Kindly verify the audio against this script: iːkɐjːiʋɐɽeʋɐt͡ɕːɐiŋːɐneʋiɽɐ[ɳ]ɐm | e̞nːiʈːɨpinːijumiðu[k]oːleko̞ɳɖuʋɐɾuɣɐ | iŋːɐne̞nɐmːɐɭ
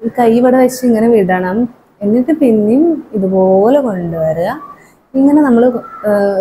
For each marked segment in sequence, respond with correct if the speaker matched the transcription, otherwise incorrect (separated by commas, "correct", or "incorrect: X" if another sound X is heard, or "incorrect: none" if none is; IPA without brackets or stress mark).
correct, incorrect: p